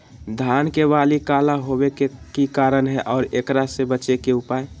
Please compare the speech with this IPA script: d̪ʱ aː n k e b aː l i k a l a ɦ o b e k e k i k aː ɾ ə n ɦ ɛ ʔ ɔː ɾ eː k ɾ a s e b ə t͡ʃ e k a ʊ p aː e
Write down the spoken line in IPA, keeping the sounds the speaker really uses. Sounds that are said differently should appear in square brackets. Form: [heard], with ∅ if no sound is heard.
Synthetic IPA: d̪ʱ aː n k e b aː l i k a l a ɦ o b e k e k i k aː ɾ ə n ɦ ɛ ʔ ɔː ɾ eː k ɾ a s e b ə t͡ʃ e k [e] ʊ p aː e